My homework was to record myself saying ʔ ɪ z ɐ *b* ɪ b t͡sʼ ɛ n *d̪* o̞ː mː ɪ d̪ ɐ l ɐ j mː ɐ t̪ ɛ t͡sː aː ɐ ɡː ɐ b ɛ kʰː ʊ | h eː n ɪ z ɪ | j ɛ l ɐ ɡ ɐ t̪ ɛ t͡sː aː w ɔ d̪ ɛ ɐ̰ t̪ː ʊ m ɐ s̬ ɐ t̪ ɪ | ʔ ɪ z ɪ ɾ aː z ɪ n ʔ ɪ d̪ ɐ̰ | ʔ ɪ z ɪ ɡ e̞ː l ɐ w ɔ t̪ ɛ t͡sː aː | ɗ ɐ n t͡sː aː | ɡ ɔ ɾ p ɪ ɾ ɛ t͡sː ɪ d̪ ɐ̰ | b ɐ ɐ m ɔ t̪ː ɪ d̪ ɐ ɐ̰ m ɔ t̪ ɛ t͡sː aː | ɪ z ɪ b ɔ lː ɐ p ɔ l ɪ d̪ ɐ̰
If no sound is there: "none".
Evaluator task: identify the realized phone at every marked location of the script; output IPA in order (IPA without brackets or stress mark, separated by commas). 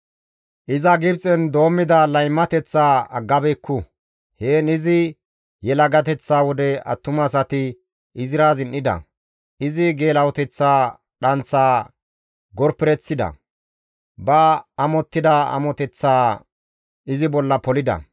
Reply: ɡ, d̪